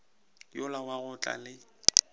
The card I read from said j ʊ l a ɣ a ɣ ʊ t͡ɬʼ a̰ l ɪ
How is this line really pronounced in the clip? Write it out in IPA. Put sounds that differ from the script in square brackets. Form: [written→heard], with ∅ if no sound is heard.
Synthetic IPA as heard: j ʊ l a [ɣ→w] a ɣ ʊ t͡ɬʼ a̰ l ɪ